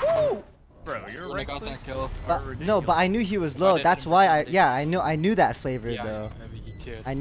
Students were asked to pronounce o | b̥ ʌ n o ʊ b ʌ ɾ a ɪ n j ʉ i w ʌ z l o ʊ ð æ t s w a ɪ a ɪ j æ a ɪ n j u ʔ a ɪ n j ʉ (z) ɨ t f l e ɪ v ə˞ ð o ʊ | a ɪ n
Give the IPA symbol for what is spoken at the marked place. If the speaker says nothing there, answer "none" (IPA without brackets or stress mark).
ð